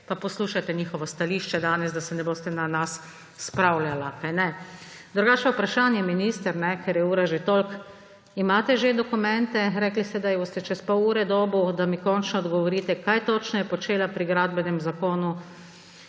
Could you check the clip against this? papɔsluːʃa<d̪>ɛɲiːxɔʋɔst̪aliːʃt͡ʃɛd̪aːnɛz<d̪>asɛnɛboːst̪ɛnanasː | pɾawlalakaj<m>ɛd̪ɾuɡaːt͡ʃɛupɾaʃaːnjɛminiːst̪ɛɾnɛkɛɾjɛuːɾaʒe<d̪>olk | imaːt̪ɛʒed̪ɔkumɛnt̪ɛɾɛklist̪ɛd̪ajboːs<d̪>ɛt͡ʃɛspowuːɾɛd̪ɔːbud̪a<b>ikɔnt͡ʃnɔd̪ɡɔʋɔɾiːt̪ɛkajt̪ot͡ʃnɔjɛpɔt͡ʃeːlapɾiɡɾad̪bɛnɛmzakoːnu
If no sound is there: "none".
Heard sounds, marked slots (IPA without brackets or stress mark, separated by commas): t̪, d̪, n, t̪, t̪, m